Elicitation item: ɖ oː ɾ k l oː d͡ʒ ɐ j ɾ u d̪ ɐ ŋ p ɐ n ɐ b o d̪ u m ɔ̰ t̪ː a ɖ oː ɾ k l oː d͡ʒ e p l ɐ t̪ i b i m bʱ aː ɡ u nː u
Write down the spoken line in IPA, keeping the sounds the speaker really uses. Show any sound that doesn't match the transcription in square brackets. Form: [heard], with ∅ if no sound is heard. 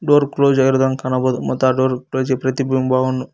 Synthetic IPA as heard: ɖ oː ɾ k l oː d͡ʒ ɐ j ɾ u d̪ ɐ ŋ [k] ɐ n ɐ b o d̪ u m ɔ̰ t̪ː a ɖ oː ɾ k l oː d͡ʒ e p [ɾ] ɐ t̪ i b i m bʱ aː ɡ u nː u